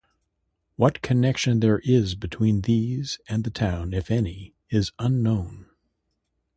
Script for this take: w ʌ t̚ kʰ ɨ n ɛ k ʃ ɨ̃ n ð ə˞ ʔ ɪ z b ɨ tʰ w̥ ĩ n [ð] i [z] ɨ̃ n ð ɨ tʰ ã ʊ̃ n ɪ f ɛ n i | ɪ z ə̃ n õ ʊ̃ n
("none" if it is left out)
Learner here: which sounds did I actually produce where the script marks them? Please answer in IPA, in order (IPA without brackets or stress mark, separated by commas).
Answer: ð, z